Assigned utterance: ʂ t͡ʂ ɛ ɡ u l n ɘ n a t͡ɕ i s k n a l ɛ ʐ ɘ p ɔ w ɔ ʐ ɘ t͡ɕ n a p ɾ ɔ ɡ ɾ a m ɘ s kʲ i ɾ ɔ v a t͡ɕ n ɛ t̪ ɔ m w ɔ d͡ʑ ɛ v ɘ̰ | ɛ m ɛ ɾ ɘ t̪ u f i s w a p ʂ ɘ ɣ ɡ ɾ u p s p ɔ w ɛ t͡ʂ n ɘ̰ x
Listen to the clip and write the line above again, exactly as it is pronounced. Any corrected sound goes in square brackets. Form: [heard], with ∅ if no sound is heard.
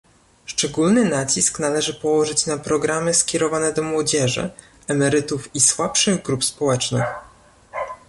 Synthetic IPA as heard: ʂ t͡ʂ ɛ ɡ u l n ɘ n a t͡ɕ i s k n a l ɛ ʐ ɘ p ɔ w ɔ ʐ ɘ t͡ɕ n a p ɾ ɔ ɡ ɾ a m ɘ s kʲ [ɛ] ɾ ɔ v a [∅] n ɛ [d̪] ɔ m w ɔ d͡ʑ ɛ [ʐ] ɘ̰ | ɛ m ɛ ɾ ɘ t̪ u f i s w a p ʂ ɘ ɣ ɡ ɾ u p s p ɔ w ɛ t͡ʂ n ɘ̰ x